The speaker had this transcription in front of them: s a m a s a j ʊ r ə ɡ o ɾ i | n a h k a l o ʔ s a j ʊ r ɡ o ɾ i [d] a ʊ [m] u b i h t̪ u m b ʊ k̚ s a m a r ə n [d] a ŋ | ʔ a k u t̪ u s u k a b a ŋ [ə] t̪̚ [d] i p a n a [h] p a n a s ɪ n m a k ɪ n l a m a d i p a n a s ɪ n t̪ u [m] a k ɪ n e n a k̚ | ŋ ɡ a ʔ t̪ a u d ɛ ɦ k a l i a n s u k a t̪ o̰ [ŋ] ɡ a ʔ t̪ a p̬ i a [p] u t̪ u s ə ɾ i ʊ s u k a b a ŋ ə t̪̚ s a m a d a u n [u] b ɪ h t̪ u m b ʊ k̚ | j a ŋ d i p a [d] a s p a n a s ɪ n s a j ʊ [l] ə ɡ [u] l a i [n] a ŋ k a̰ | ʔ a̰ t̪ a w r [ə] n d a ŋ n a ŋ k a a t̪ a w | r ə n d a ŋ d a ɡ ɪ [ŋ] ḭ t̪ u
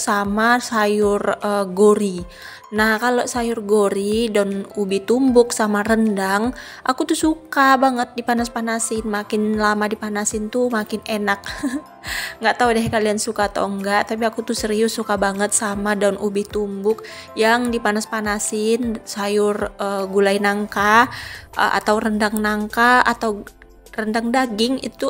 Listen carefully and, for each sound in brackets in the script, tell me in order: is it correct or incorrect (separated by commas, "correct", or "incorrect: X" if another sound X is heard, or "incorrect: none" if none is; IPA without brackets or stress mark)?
correct, incorrect: n, correct, correct, correct, incorrect: s, correct, correct, incorrect: k, correct, incorrect: n, incorrect: r, correct, correct, correct, correct